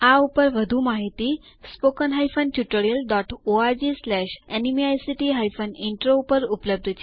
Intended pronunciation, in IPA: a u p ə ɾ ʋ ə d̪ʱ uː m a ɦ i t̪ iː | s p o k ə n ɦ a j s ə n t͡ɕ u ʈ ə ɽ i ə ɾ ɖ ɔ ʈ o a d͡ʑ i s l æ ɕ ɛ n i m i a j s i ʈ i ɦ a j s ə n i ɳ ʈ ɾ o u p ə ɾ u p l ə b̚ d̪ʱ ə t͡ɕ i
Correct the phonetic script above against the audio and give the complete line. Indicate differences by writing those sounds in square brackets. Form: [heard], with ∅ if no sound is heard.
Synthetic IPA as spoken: a u p ə ɾ ʋ ə d̪ʱ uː m a ɦ i t̪ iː | s p o k ə n ɦ a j [f] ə n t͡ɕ u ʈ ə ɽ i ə [l] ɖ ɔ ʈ o a d͡ʑ i s l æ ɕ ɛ n i m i a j s i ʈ i ɦ a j [f] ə n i ɳ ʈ ɾ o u p ə ɾ u p l ə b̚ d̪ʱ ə t͡ɕ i